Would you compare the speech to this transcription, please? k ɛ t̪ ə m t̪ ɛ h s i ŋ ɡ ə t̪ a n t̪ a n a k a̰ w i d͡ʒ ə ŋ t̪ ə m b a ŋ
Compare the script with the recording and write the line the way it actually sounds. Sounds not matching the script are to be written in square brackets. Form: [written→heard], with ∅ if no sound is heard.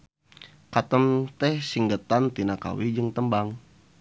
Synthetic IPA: k [ɛ→a] t̪ ə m t̪ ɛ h s i ŋ ɡ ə t̪ a n t̪ [a→i] n a k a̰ w i d͡ʒ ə ŋ t̪ ə m b a ŋ